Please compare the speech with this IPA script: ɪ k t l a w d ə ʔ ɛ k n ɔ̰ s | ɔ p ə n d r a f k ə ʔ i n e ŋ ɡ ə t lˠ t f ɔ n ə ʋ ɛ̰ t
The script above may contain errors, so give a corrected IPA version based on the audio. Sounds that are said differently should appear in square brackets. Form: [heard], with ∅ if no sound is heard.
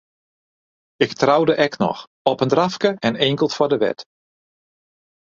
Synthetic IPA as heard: ɪ k t [r] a w d ə ʔ ɛ k n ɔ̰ [x] | ɔ p ə n d r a f k ə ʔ [ɛ] n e ŋ [k] ə [∅] lˠ t f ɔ [d] ə ʋ ɛ̰ t

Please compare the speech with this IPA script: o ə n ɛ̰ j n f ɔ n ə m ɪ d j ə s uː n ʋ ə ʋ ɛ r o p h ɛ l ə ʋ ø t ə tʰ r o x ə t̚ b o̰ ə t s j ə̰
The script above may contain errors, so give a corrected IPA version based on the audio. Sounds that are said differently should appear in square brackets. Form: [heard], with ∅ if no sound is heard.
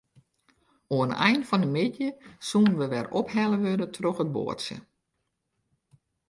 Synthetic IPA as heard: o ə n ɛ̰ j n f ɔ n ə m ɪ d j ə s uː n ʋ ə ʋ ɛ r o p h ɛ l ə ʋ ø [d] ə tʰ r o x ə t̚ b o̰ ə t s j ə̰

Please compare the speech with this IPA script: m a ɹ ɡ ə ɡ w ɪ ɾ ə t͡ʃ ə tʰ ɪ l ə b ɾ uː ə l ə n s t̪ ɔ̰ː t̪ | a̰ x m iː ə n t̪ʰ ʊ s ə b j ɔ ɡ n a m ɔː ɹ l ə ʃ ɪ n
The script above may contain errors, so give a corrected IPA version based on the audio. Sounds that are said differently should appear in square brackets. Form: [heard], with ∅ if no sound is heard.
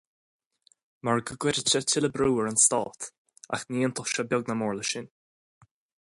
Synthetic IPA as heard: m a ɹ ɡ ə ɡ w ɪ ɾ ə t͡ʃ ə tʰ ɪ l ə b ɾ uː ə [ɹ] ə n s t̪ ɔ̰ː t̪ | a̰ x [n] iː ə n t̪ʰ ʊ [ʃ] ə b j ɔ ɡ n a m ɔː ɹ l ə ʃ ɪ n

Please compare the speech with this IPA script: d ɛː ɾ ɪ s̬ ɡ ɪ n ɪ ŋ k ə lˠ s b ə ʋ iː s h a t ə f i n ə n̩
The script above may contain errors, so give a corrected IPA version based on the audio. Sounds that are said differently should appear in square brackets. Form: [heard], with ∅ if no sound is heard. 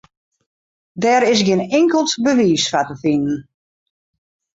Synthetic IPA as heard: d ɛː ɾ ɪ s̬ ɡ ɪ n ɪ ŋ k ə lˠ [t] b ə ʋ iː s [f] a t ə f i n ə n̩

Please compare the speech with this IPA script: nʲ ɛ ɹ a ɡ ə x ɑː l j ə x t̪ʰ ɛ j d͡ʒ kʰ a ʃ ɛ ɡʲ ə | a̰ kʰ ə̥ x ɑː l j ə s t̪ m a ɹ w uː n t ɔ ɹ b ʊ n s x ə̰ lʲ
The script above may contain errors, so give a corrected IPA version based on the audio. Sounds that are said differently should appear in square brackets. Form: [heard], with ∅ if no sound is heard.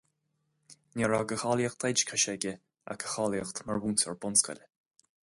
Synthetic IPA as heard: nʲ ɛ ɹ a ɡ ə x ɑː l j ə x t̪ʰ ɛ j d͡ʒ kʰ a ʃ ɛ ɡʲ ə | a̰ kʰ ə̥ x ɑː l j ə [x] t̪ m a ɹ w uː n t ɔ ɹ b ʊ n s [k] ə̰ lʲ

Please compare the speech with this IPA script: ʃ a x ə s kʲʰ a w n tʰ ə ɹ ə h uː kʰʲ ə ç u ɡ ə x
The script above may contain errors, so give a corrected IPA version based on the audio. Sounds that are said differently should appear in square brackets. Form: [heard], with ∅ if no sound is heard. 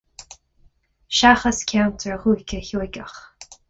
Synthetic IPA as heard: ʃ a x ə s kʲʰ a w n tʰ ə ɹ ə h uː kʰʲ ə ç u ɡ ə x

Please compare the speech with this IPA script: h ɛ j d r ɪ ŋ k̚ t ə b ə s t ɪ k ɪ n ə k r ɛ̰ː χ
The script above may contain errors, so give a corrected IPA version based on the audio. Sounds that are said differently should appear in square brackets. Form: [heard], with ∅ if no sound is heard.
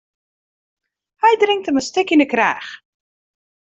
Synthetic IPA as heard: h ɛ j d r ɪ ŋ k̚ t ə [m] ə s t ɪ k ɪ n ə k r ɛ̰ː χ

